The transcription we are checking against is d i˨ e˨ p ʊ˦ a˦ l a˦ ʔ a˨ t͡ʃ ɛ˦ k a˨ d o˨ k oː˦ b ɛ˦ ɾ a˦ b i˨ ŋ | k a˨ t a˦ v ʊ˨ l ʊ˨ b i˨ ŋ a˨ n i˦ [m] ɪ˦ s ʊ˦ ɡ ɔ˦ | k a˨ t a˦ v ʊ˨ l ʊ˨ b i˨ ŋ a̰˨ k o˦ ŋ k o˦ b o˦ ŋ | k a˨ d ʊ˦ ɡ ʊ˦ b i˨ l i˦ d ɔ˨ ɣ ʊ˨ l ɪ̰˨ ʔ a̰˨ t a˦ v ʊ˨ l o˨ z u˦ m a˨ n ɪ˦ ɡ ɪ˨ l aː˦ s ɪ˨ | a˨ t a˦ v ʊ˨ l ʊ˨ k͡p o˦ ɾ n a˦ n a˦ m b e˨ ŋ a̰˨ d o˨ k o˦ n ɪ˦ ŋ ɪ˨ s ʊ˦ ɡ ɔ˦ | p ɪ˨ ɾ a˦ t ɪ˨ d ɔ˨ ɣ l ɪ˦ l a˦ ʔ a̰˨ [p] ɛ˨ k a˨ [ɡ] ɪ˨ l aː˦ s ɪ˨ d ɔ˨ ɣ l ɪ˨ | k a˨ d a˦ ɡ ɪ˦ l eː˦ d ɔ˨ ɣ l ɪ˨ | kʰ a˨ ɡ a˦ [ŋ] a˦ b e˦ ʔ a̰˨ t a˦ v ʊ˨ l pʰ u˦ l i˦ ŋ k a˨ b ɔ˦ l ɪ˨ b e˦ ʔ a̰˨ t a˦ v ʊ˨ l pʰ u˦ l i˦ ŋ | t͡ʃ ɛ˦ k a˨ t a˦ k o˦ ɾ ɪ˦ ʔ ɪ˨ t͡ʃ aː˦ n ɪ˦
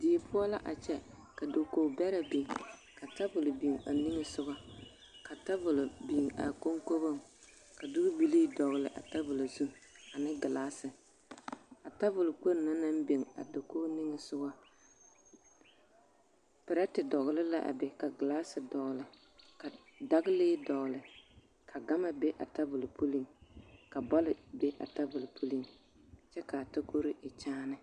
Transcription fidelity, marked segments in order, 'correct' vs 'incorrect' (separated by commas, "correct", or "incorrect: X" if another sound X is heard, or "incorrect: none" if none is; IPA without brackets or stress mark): incorrect: ŋ, incorrect: b, correct, incorrect: m